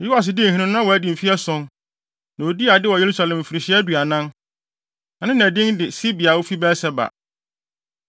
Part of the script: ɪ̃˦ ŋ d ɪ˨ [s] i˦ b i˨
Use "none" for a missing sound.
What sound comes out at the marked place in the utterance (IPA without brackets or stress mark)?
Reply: s